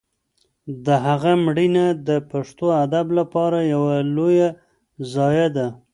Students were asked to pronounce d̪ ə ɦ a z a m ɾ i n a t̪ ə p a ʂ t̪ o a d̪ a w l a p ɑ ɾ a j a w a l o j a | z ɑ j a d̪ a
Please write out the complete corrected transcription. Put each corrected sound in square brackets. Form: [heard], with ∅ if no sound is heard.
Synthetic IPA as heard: d̪ ə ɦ a [ɣ] a m [ɽ] i n a [d̪] ə p a ʂ t̪ o a d̪ a [b] l a p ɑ ɾ a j a w a l o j a | z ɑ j a d̪ a